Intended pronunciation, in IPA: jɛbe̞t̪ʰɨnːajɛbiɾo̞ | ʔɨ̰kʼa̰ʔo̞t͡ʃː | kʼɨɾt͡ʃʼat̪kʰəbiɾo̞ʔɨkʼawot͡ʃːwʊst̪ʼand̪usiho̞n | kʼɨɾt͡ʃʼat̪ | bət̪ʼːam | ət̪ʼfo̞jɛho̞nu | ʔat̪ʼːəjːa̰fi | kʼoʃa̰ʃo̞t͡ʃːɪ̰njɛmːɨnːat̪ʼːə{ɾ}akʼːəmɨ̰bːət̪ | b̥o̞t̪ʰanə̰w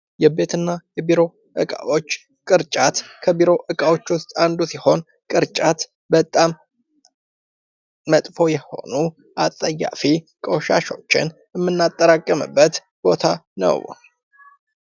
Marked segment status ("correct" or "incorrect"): correct